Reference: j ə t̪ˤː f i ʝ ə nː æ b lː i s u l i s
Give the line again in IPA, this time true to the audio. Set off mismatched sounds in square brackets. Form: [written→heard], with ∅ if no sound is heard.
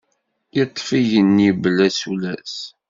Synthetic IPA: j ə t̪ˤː f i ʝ ə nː [æ→i] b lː [i→æ] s u l [i→æ] s